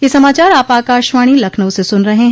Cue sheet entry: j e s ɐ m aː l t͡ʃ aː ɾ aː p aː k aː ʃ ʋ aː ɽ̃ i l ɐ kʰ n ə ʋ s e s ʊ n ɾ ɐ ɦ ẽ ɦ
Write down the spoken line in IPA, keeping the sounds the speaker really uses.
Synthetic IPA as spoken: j e s ɐ m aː t͡ʃ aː ɾ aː p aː k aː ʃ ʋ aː ɽ̃ i l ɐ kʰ n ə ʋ s e s ʊ n ɾ ɐ ɦ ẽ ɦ